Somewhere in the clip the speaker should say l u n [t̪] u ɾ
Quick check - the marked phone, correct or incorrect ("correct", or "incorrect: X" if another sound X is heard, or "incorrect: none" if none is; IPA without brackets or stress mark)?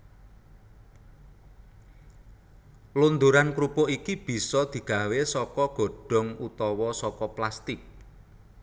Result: incorrect: d̪